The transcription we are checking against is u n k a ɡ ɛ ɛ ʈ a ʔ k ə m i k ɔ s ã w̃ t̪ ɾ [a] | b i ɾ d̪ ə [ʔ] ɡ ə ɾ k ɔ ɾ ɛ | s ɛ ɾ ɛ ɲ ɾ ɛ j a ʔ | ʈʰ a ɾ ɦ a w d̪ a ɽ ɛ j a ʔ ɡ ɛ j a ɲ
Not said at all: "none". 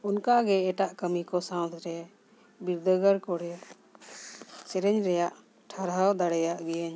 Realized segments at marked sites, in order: ɛ, none

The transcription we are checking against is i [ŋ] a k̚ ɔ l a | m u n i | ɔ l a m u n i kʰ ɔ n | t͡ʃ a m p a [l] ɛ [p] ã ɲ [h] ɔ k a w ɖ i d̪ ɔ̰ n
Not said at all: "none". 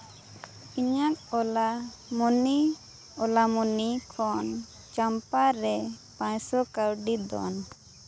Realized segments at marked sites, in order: ɲ, ɾ, p, s

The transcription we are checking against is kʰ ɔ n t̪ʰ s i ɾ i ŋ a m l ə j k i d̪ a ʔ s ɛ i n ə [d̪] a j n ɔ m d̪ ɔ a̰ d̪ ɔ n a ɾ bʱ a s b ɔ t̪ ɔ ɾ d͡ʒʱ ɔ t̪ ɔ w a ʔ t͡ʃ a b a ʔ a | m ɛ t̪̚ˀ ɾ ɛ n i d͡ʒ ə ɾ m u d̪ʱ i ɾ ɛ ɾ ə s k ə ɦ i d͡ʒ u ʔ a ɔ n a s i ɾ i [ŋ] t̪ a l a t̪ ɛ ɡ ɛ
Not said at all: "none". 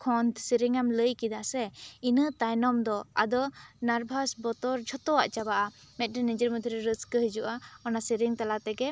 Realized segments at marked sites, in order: t̪, ŋ

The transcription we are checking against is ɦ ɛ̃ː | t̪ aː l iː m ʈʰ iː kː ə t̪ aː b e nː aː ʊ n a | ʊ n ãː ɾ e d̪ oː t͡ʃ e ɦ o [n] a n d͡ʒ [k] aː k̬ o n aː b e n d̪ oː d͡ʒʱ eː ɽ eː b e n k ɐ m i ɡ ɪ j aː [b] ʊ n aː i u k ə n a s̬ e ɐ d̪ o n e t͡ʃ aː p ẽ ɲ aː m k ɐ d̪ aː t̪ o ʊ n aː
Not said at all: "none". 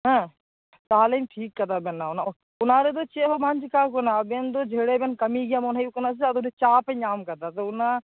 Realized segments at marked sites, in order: m, k, m

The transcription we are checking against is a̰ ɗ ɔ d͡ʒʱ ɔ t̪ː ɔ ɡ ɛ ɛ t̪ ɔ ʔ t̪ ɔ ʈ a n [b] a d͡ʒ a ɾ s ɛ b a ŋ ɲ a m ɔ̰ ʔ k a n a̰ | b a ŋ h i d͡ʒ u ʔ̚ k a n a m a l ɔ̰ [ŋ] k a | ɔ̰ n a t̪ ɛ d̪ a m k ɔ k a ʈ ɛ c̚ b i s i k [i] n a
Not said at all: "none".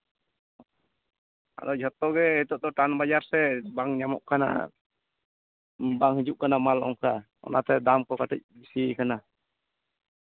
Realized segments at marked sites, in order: b, ŋ, a

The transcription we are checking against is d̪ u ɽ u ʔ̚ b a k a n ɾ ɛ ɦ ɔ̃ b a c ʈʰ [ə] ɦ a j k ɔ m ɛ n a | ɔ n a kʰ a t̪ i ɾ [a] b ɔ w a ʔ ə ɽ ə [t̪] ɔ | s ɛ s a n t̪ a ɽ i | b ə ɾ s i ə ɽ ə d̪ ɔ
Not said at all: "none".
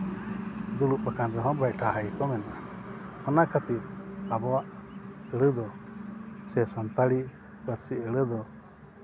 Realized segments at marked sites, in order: a, a, d̪

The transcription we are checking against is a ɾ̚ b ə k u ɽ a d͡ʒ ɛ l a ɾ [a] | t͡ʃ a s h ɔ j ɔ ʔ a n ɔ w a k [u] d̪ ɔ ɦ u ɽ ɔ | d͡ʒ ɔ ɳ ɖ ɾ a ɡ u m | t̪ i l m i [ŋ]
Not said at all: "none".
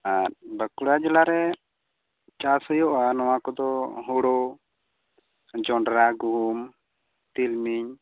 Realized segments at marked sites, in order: ɛ, ɔ, ɲ

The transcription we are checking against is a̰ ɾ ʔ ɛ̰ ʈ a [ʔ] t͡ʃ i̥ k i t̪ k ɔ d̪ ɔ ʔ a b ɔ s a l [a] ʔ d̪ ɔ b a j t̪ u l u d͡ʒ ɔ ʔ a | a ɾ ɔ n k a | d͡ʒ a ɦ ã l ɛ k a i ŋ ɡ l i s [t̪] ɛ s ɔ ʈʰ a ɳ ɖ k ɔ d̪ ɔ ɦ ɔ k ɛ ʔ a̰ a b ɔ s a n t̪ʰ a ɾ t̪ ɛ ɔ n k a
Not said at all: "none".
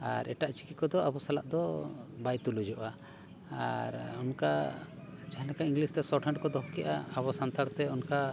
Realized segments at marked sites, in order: ʔ, a, t̪

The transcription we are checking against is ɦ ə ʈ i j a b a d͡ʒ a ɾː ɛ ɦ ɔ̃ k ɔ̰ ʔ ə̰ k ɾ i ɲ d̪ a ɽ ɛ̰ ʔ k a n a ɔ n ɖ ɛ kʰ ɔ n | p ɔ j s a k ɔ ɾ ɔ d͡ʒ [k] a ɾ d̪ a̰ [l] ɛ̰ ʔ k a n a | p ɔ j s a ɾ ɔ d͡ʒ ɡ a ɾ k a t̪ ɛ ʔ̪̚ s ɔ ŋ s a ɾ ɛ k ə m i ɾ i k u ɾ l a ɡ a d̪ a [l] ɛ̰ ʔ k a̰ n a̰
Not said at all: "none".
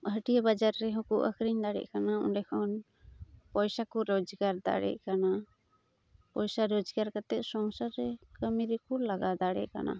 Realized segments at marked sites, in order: ɡ, ɽ, ɽ

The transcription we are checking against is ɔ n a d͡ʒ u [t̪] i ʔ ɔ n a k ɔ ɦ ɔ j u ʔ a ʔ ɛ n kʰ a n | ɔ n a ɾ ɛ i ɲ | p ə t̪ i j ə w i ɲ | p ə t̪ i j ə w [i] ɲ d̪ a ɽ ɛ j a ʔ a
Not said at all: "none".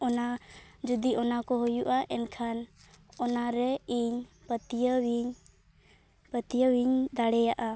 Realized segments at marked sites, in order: d̪, i

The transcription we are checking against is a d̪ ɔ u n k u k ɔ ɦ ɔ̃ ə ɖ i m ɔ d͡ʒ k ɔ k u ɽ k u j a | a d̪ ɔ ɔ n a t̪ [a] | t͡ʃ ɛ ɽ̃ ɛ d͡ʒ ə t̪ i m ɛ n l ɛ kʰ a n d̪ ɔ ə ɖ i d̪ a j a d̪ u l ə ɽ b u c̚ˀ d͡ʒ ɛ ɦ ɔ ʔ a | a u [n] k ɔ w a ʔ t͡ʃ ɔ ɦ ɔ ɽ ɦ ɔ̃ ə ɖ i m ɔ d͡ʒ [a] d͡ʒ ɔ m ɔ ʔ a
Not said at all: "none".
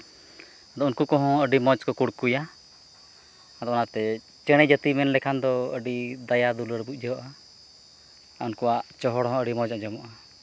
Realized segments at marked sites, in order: ɛ, n, a

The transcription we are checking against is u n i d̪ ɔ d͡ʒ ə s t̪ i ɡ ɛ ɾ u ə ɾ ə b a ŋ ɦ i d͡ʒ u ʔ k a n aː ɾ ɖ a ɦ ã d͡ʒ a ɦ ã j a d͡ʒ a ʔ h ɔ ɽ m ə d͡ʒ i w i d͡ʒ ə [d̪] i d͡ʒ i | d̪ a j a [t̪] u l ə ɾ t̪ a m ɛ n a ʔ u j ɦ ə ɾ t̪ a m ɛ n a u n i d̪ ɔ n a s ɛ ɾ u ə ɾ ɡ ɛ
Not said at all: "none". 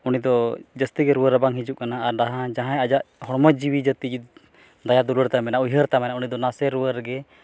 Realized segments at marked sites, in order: t̪, d̪

